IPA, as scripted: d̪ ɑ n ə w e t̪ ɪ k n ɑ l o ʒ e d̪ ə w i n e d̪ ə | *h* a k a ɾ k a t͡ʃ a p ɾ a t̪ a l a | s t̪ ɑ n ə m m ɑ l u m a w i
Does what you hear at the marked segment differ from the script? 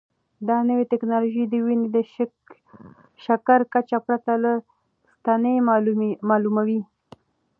yes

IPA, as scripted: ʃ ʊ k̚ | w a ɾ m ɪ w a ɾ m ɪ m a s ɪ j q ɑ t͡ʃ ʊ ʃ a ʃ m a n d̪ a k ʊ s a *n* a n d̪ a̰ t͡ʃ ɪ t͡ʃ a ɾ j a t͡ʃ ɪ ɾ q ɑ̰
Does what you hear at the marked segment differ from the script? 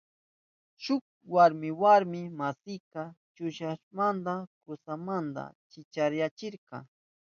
yes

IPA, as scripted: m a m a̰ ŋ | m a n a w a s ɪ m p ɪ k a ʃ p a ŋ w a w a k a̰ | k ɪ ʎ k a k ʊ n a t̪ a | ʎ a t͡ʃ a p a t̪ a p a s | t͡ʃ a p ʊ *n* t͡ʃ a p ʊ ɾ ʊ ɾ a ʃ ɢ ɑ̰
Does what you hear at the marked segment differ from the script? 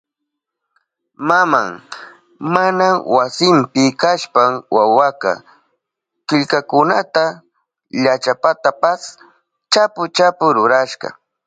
yes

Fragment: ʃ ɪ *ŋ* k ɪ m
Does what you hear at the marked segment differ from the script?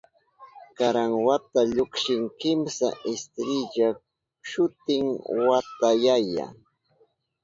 no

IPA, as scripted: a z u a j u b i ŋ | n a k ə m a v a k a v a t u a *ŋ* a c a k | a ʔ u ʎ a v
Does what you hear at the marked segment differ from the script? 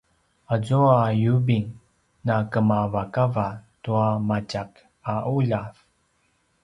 yes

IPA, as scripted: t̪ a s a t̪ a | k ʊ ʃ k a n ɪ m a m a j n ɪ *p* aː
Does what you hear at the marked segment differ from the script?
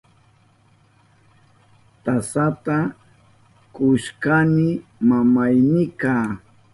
yes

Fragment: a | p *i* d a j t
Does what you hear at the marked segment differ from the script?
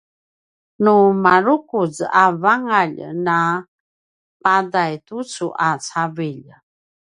yes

